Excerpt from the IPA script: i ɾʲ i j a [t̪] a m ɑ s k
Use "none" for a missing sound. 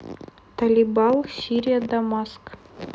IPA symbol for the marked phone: d̪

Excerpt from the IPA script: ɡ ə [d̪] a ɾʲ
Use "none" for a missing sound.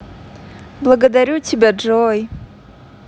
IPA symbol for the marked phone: d̪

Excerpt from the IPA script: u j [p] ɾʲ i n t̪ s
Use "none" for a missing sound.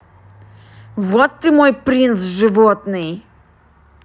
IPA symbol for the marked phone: p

